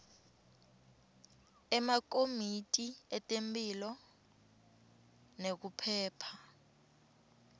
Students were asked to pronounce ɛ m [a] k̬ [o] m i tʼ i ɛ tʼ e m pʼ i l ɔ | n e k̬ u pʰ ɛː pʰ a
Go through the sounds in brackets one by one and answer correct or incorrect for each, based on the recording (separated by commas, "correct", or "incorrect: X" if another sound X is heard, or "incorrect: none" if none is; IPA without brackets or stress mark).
correct, correct